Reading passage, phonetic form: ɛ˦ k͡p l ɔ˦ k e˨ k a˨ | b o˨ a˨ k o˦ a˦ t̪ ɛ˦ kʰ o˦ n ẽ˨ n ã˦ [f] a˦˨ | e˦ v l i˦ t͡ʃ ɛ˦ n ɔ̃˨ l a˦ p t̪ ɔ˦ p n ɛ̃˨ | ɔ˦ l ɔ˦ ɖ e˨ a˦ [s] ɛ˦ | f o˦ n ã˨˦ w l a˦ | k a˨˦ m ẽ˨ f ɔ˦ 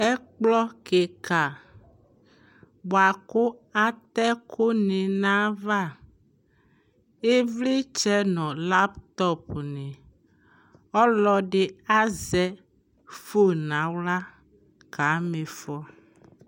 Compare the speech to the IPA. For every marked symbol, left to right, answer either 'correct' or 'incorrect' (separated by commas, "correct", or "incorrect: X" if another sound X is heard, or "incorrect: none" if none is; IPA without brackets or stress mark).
incorrect: v, incorrect: z